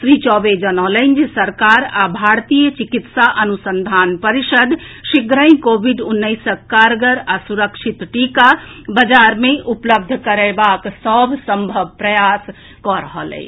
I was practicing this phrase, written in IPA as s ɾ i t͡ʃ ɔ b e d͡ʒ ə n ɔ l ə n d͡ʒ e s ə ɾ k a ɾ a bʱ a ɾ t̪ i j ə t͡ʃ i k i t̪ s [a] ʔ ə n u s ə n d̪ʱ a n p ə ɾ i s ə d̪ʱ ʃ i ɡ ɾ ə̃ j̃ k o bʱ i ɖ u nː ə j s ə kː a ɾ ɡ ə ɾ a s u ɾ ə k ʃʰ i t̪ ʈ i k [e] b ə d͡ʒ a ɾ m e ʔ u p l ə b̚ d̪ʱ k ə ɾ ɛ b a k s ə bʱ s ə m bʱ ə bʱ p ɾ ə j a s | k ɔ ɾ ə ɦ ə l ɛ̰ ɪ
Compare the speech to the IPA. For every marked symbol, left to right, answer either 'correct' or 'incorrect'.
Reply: correct, incorrect

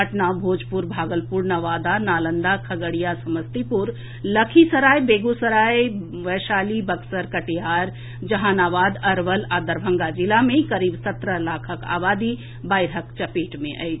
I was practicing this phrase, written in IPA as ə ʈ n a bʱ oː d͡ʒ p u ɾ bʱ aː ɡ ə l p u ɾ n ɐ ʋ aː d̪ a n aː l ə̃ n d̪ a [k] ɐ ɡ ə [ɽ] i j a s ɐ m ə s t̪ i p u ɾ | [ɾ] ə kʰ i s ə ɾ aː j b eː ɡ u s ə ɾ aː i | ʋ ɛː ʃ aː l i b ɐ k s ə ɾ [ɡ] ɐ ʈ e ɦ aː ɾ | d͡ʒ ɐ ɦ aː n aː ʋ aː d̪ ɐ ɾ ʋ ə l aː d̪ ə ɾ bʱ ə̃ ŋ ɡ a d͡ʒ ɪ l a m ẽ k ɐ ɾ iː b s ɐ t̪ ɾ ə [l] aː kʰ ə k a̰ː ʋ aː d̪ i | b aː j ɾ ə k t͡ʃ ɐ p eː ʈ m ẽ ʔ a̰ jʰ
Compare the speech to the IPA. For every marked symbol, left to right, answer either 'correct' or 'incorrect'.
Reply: incorrect, correct, incorrect, incorrect, correct

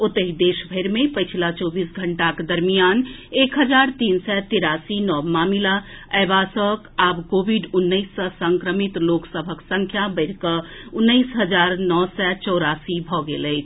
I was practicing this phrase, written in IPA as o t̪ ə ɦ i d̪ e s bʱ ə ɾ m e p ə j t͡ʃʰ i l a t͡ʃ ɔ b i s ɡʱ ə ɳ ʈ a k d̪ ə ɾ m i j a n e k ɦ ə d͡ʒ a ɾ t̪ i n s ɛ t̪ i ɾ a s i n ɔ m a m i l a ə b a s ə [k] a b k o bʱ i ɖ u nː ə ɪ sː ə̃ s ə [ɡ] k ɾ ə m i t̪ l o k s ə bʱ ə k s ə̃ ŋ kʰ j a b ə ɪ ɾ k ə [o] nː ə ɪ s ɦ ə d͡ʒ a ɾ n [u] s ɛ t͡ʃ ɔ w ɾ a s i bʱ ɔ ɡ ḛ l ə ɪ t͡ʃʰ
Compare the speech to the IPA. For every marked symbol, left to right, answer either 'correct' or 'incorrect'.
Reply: correct, incorrect, incorrect, incorrect

